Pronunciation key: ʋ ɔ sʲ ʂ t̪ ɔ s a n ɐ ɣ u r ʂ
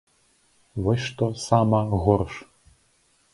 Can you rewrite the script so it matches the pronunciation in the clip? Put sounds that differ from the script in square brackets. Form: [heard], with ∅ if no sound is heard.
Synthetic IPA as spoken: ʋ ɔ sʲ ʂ t̪ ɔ s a [m] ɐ ɣ [ɔ] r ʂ